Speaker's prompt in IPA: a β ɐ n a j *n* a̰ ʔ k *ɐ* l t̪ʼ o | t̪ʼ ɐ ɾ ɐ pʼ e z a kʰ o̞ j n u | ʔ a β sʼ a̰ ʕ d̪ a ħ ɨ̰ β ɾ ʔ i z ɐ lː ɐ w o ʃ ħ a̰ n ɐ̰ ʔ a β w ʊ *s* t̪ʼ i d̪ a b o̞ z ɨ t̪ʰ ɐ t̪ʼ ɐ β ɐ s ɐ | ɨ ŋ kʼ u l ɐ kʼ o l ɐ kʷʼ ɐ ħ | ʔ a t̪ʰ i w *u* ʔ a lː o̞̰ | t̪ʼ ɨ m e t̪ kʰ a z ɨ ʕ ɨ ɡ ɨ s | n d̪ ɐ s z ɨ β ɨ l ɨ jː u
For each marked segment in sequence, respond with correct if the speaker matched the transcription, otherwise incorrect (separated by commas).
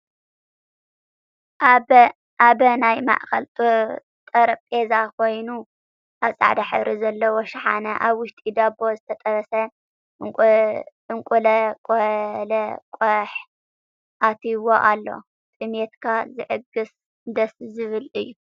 incorrect, correct, incorrect, incorrect